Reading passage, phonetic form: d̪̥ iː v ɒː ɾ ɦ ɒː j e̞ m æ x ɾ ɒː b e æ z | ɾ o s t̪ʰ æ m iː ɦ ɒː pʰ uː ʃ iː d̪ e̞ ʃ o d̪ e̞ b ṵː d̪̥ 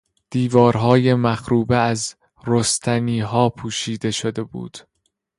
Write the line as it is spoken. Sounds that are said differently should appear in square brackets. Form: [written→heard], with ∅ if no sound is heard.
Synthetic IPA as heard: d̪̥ iː v ɒː ɾ ɦ ɒː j e̞ m æ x ɾ [ɒː→uː] b e æ z | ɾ o s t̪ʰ æ [m→n] iː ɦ ɒː pʰ uː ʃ iː d̪ e̞ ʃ o d̪ e̞ b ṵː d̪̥